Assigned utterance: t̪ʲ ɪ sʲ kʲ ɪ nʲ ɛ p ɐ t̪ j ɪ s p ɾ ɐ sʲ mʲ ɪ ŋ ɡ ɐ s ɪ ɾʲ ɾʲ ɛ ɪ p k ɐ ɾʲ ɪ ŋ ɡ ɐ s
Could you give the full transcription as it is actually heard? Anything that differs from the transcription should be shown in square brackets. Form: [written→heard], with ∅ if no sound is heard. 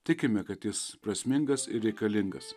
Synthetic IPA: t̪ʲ ɪ [sʲ→∅] kʲ ɪ [nʲ→mʲ] ɛ [p→k] ɐ t̪ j ɪ s p ɾ ɐ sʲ mʲ ɪ ŋ ɡ ɐ s ɪ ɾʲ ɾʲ ɛ ɪ [p→∅] k ɐ [ɾʲ→lʲ] ɪ ŋ ɡ ɐ s